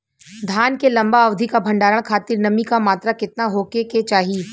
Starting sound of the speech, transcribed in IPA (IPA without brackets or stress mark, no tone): d̪ʱ